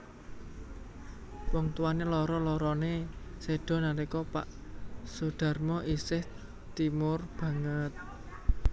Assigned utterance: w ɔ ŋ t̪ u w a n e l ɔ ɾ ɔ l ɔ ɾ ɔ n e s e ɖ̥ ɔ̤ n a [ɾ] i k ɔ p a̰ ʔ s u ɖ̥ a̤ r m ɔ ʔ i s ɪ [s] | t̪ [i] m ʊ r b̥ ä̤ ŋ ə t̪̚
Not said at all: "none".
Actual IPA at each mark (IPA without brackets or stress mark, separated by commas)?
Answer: ɾ, h, i